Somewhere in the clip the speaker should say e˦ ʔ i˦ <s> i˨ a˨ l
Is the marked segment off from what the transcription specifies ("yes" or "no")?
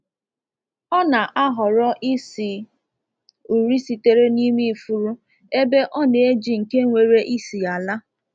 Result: no